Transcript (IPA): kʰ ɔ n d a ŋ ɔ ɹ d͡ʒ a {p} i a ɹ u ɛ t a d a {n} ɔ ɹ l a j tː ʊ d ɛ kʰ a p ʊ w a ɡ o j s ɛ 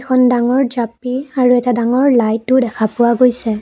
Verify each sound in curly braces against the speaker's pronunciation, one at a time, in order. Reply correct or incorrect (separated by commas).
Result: correct, incorrect